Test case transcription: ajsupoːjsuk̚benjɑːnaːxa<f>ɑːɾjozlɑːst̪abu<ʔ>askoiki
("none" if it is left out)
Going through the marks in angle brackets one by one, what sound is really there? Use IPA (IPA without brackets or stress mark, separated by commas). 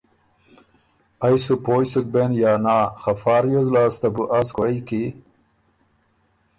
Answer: f, ʔ